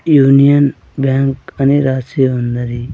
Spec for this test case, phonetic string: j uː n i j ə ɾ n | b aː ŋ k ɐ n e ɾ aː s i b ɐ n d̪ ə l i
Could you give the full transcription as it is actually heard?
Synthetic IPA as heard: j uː n i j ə n | b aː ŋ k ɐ n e ɾ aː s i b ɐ n d̪ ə ɾ i